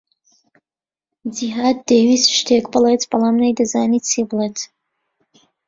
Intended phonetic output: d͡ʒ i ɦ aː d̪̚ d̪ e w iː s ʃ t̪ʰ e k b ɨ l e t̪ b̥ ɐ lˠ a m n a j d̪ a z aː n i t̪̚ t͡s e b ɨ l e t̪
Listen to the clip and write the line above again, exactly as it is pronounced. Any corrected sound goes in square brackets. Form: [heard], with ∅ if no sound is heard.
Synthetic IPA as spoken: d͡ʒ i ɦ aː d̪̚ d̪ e w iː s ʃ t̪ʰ e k b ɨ l e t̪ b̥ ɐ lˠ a m n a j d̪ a z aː n i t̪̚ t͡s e b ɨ l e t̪